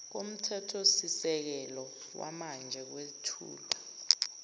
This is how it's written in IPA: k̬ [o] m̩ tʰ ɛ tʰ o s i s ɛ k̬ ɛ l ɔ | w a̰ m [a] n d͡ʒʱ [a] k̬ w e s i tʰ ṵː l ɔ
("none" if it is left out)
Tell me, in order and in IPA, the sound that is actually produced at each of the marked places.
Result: o, a, ɛ

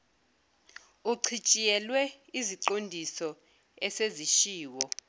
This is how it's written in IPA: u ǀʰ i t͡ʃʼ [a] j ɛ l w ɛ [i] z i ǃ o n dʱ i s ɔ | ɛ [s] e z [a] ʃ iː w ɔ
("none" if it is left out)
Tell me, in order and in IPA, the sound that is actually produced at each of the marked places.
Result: i, i, s, i

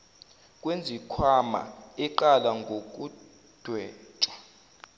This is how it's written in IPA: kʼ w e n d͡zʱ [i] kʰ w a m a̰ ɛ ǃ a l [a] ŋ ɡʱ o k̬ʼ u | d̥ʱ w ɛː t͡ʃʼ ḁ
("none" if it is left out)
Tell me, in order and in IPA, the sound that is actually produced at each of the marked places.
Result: i, a

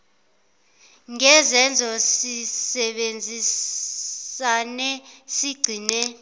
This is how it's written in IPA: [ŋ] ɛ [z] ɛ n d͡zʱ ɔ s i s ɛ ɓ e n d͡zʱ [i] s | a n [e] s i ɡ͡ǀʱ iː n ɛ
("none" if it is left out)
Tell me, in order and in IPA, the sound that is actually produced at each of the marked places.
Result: ŋ, z, i, ɛ

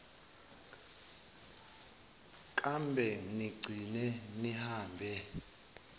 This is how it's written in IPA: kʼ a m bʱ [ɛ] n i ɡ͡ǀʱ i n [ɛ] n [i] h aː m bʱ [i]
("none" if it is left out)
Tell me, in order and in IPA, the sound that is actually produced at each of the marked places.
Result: ɛ, ɛ, i, ɛ

